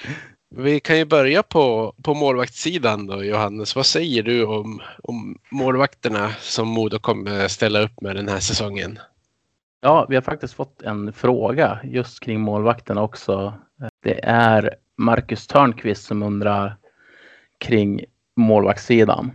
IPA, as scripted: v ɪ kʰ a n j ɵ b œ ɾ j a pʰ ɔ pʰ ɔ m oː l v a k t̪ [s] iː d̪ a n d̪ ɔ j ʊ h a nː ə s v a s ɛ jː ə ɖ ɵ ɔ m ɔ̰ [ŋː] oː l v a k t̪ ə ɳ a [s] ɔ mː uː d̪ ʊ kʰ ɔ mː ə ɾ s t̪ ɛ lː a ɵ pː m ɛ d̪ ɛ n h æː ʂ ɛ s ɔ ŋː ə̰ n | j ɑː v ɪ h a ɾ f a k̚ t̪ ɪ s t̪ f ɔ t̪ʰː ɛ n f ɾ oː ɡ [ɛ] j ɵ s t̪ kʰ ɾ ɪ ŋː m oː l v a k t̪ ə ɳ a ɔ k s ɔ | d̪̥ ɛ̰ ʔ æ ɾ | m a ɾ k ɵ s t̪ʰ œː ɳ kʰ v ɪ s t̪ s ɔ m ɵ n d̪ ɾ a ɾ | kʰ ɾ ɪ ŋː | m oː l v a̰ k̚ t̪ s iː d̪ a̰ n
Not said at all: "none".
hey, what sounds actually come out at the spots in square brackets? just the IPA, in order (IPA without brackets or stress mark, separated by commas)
s, mː, s, a